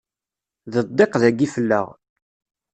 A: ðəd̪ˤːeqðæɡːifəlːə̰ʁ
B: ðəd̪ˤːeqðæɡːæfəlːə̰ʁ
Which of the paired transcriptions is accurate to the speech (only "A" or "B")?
A